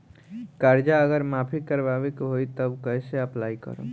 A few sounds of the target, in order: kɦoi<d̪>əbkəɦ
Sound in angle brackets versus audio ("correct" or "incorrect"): incorrect